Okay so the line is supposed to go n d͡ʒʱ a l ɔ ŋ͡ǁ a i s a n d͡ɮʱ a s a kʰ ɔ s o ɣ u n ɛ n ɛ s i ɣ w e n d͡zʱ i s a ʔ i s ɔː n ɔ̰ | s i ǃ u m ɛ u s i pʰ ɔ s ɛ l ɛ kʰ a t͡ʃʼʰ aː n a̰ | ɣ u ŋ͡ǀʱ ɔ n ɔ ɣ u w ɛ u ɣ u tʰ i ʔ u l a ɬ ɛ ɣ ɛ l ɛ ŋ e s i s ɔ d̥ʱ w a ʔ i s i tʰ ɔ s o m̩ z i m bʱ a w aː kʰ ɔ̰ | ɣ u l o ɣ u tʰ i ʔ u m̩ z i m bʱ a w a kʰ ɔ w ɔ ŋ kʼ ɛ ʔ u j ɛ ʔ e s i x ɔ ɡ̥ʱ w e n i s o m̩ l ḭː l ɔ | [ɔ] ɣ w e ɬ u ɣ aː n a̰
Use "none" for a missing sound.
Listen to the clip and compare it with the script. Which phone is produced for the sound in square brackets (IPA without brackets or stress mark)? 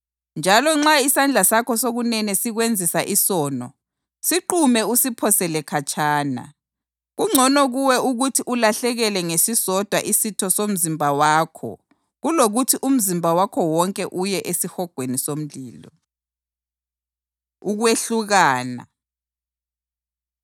u